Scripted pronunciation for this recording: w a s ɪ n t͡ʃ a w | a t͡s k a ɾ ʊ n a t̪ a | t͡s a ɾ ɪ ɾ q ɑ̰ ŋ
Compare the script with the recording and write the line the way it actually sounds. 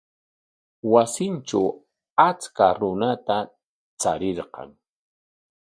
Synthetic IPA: w a s ɪ n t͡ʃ a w | a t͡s k a ɾ ʊ n a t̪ a | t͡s a ɾ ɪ ɾ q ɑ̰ ŋ